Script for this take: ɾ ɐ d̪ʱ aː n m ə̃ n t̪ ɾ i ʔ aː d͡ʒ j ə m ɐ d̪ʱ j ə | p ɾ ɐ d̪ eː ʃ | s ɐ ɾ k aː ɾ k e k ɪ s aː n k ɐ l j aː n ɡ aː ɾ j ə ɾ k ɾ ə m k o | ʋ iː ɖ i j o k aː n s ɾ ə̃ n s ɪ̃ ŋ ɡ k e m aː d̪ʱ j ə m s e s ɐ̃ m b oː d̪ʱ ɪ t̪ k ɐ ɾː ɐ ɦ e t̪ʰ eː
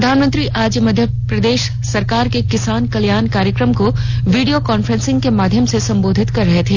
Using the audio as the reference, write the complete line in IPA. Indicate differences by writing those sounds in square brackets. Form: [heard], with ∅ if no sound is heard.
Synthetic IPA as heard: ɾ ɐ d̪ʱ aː n m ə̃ n t̪ ɾ i ʔ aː d͡ʒ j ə m ɐ d̪ʱ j ə | p ɾ ɐ d̪ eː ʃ | s ɐ ɾ k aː ɾ k e k ɪ s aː n k ɐ l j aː n [k] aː ɾ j ə [∅] k ɾ ə m k o | ʋ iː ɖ i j o k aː n [f] ɾ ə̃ n s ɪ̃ ŋ ɡ k e m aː d̪ʱ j ə m s e s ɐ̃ m b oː d̪ʱ ɪ t̪ k ɐ ɾː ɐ ɦ e t̪ʰ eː